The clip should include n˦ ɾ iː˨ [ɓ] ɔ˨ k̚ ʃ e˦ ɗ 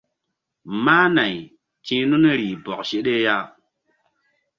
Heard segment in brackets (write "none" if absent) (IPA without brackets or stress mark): b